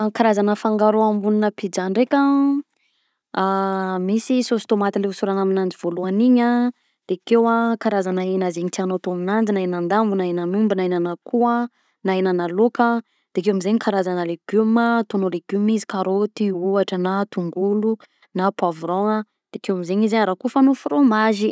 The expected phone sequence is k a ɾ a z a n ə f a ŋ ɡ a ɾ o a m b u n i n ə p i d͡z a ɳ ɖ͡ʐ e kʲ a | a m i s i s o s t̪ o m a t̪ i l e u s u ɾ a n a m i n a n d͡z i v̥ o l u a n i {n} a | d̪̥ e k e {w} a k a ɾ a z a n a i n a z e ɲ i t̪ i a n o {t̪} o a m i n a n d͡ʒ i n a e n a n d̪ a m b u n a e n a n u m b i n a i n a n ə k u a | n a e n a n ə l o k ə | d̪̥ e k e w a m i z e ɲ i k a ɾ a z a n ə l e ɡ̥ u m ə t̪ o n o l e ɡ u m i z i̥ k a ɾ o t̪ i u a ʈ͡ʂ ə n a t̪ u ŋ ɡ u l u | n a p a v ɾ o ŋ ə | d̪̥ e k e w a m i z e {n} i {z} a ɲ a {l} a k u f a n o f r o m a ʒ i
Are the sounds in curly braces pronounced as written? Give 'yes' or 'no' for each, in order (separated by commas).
no, yes, yes, no, yes, no